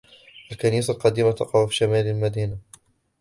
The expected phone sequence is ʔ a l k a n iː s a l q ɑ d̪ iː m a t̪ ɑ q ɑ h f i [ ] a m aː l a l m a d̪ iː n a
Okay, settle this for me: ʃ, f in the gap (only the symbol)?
ʃ